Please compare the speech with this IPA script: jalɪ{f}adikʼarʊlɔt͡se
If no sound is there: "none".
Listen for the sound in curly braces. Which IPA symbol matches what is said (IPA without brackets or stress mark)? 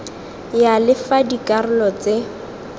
f